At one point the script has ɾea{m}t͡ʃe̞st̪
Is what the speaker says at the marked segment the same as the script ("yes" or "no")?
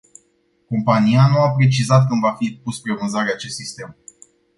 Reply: no